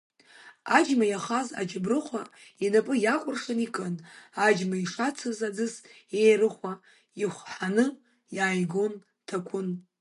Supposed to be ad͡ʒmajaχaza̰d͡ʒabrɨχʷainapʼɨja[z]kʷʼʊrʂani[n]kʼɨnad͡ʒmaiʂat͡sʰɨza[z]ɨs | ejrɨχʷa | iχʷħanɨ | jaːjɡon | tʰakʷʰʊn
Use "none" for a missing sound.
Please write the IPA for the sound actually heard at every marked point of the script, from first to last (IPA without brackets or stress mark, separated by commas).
none, none, d͡z